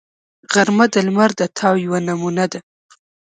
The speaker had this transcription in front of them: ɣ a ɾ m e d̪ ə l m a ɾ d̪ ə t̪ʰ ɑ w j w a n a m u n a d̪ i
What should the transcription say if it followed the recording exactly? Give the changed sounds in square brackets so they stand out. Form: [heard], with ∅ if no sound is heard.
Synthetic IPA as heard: ɣ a ɾ m [a] d̪ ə l m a ɾ d̪ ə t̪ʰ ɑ w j w a n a m u n a d̪ [a]